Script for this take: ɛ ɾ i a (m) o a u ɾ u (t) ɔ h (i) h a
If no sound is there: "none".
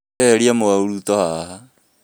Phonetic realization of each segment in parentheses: m, t, a

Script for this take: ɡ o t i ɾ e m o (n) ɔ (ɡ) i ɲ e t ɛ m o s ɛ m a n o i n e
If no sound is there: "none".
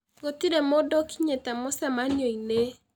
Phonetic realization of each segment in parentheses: d, k

